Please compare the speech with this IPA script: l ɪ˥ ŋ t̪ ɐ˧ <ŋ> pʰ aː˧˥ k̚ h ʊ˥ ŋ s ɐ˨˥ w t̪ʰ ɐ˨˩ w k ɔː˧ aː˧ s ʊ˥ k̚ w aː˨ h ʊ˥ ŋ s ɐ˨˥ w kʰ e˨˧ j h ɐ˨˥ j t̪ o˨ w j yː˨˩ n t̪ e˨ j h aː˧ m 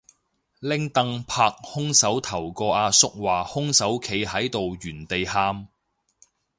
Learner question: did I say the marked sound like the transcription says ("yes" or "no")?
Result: yes